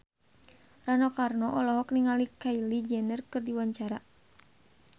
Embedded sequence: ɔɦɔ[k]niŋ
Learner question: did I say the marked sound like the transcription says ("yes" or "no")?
yes